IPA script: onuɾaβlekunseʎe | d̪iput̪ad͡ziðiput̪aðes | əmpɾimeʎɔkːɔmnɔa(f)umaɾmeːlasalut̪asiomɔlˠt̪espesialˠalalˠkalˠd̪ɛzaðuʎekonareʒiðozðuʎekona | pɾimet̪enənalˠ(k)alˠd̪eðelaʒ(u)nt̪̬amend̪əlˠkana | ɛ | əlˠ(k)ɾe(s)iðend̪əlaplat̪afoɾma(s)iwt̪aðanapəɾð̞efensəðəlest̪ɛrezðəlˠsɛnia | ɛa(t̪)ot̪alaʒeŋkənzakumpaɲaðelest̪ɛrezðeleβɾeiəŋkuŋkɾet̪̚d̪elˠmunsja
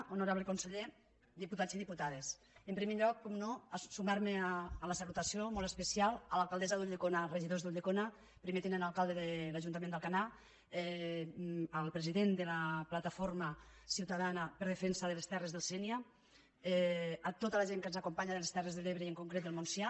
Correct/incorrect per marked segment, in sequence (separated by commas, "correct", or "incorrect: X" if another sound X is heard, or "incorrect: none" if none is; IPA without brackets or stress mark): incorrect: s, correct, correct, incorrect: p, incorrect: z, correct, correct